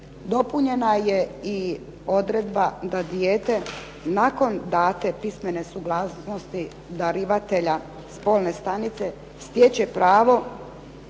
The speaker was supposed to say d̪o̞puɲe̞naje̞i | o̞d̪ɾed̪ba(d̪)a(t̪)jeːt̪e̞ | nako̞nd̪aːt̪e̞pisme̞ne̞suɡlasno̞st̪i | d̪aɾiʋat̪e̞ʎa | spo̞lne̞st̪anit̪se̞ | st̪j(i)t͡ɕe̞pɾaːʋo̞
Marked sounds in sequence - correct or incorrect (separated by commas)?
correct, incorrect, incorrect